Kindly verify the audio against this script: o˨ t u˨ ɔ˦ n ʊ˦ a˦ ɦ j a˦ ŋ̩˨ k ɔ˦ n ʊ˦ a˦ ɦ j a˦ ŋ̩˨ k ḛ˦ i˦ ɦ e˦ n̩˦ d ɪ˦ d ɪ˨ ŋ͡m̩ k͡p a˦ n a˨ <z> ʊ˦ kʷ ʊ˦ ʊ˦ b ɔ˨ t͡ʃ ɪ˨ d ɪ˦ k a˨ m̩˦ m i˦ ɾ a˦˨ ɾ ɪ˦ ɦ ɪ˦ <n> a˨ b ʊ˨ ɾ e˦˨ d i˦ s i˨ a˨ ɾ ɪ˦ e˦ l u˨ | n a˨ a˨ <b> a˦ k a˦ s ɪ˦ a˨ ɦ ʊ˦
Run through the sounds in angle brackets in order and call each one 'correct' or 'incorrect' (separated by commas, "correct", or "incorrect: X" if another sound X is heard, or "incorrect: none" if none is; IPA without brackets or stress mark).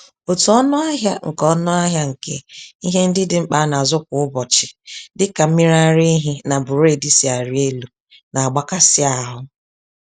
correct, correct, incorrect: ɡ͡b